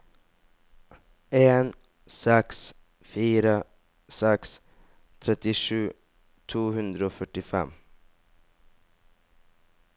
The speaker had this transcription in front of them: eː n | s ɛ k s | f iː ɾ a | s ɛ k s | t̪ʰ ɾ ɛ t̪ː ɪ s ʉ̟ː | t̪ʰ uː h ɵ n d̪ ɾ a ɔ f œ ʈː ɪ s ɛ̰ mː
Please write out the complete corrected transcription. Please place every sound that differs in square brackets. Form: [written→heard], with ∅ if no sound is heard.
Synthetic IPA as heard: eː n | s ɛ k s | f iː ɾ a | s ɛ k s | t̪ʰ ɾ ɛ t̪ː ɪ [s→ʂ] ʉ̟ː | t̪ʰ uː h ɵ n d̪ ɾ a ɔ f œ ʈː ɪ [s→f] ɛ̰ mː